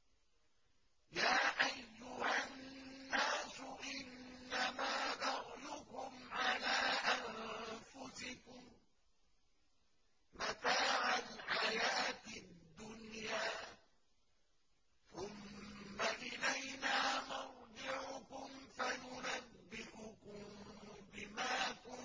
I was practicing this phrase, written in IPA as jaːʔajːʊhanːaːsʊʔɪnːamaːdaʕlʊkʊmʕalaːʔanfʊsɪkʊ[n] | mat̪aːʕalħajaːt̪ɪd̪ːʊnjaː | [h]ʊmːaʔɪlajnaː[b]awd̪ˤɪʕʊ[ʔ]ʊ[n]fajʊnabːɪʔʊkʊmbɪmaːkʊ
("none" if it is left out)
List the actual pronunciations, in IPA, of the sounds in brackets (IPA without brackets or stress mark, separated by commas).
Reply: m, θ, m, k, m